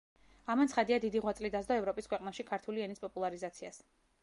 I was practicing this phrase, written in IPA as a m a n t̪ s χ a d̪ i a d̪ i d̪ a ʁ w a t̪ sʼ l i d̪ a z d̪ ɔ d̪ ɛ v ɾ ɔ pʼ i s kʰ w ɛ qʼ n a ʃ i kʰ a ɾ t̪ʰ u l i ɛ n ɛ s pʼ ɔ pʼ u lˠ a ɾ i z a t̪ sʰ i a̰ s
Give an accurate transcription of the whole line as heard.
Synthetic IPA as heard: a m a n t̪ s χ a d̪ i a d̪ i d̪ i ʁ w a t̪ sʼ l i d̪ a z d̪ ɔ ɛ v ɾ ɔ pʼ i s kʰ w ɛ qʼ n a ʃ i kʰ a ɾ t̪ʰ u l i ɛ n i s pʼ ɔ pʼ u lˠ a ɾ i z a t̪ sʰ i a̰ s